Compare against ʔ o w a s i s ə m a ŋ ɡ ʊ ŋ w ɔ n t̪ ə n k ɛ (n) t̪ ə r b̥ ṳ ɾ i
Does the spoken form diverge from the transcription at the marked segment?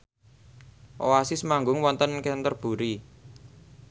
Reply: no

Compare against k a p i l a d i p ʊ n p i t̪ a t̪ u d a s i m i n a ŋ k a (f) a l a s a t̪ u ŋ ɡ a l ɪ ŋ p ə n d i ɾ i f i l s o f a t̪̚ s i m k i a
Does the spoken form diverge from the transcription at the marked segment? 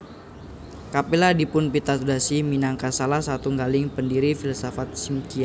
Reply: yes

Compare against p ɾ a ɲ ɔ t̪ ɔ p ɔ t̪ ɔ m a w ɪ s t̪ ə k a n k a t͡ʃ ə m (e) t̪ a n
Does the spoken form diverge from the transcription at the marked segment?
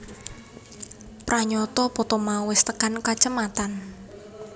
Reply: yes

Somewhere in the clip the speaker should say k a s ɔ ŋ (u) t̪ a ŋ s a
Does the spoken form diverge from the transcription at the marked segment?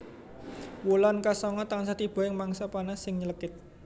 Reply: yes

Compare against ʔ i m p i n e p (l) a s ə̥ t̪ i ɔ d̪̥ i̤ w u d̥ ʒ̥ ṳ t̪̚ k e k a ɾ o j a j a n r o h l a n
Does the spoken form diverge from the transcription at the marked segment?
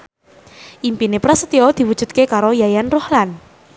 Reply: yes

